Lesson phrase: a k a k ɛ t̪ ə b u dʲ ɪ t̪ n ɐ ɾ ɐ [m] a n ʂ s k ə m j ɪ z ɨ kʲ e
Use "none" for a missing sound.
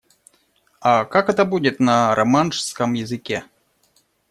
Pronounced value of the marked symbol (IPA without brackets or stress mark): m